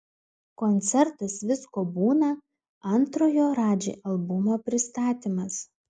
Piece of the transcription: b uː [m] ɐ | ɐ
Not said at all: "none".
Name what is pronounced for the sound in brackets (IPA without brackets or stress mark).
n